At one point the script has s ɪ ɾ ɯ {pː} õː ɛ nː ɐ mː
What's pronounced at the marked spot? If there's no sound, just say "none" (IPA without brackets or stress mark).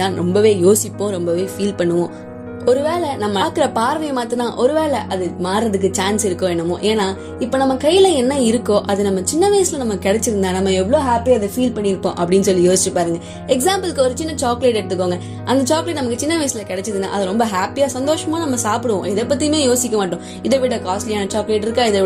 kː